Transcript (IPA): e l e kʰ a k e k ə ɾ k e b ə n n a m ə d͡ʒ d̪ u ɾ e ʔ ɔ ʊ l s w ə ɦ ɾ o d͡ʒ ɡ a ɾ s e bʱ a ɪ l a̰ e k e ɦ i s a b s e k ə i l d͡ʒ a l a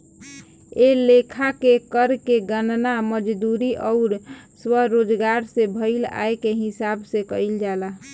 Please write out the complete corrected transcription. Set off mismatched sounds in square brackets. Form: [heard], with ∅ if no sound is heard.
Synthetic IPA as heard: e l e kʰ a k e k ə ɾ k e [ɡ] ə n n a m ə d͡ʒ d̪ u ɾ [i] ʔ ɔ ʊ [ɾ] s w ə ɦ ɾ o d͡ʒ ɡ a ɾ s e bʱ [ə] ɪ l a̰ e k e ɦ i s a b s e k ə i l d͡ʒ a l a